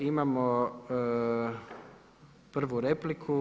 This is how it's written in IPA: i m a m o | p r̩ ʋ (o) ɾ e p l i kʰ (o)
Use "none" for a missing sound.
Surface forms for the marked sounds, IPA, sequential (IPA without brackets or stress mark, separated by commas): u, u